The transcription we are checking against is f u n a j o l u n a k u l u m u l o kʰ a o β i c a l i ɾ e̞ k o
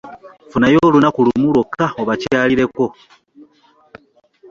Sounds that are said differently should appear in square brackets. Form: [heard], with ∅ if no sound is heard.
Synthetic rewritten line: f u n a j o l u n a k u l u m u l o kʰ a o β [a] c a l i ɾ e̞ k o

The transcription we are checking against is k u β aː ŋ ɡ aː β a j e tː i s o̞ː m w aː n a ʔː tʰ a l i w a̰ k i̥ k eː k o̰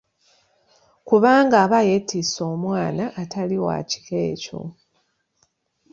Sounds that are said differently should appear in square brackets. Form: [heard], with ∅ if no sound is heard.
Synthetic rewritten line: k u β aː ŋ ɡ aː β a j e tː i s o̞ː m w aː n a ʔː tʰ a l i w a̰ [c] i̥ k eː [c] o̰

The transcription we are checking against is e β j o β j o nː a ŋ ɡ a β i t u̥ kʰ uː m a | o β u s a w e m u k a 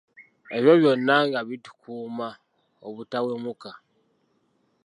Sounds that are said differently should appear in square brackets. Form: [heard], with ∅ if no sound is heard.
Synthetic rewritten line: e β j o β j o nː a ŋ ɡ a β i t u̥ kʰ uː m a | o β u [t] a w e m u k a

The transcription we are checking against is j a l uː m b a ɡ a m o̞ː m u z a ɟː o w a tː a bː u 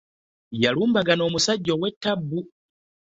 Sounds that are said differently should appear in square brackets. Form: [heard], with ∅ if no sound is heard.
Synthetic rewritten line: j a l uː m b a ɡ a [n] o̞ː m u [s] a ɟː o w [e] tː a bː u

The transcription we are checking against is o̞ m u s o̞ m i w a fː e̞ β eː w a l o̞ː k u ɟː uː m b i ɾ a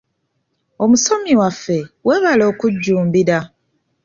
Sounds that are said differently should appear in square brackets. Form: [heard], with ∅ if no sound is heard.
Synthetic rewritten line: o̞ m u s o̞ m i w a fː e̞ [w] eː [β] a l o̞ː k u ɟː uː m b i ɾ a

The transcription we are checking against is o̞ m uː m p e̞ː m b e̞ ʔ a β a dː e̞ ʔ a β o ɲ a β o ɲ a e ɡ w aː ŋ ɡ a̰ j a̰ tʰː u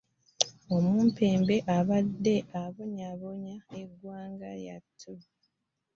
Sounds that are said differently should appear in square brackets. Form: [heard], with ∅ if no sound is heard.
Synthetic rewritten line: o̞ m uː m p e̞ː m b e̞ ʔ a β a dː e̞ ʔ a β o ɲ a β o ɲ a e ɡ w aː ŋ ɡ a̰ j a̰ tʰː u

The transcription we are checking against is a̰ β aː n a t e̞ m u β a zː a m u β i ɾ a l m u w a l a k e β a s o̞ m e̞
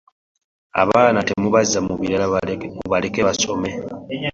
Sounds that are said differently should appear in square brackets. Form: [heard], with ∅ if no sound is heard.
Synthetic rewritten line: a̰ β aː n a t e̞ m u β a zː a m u β i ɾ a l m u [β] a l [e] k e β a s o̞ m e̞

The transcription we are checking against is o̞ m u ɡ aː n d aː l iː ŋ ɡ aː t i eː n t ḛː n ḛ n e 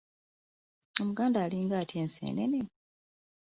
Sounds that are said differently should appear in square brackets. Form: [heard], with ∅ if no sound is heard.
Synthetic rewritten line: o̞ m u ɡ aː n d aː l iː ŋ ɡ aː t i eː n [s] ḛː n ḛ n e

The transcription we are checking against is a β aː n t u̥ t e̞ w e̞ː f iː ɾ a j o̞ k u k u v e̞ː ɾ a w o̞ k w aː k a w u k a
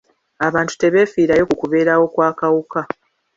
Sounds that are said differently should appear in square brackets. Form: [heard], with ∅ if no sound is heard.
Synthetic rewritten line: a β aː n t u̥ t e̞ [β] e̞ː f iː ɾ a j o̞ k u k u [β] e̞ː ɾ a w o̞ k w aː k a w u k a

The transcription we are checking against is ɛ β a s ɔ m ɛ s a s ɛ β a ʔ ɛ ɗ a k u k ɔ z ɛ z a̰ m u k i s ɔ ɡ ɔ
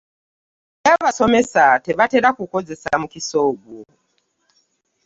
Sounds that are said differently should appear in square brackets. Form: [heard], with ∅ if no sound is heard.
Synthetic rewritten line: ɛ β a s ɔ m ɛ s a [t] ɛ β a [t] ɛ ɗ a k u k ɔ [d͡z] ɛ [s] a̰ m u k i s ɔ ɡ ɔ

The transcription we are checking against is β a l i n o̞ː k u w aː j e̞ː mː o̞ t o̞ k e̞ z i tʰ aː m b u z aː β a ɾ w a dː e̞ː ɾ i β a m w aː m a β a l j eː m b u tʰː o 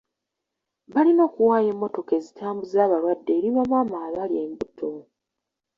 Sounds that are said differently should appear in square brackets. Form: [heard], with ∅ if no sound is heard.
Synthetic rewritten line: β a l i n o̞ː k u w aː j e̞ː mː o̞ t o̞ k e̞ z i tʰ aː m b u z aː β a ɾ w a dː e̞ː ɾ i β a m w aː m a β a l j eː m b u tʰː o

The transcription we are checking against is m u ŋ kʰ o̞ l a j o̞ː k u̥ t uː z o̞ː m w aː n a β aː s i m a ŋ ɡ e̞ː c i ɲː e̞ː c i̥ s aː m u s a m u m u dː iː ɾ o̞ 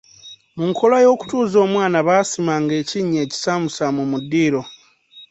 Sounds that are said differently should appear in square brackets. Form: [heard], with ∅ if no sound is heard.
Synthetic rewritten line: m u ŋ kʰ o̞ l a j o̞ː k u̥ t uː z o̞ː m w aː n a β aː s i m a ŋ ɡ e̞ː c i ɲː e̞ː c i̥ s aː m u s a m u m u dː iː ɾ o̞

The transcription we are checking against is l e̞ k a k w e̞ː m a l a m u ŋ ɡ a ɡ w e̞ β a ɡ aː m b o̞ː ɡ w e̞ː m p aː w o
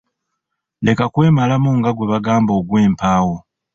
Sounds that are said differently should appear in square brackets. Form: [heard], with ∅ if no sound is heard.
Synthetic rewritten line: l e̞ k a k w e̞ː m a l a m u ŋ ɡ a ɡ w e̞ β a ɡ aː m b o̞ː ɡ w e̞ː m p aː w o

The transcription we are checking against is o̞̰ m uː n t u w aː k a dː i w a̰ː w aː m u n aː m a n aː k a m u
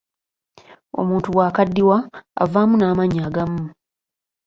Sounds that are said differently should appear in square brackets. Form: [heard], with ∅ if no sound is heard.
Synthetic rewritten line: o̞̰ m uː n t u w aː k a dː i w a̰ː [v] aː m u n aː m a [ɲ] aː [ɡ] a m u

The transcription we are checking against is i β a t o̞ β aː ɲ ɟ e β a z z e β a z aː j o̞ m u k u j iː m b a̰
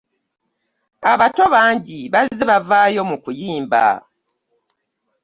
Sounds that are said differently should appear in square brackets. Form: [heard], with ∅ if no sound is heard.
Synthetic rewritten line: [a] β a t o̞ β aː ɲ ɟ [i] β a z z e β a [v] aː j o̞ m u k u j iː m b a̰

